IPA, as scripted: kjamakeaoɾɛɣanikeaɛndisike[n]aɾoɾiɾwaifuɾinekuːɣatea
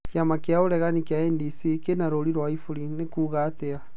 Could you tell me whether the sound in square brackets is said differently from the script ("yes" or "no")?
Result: no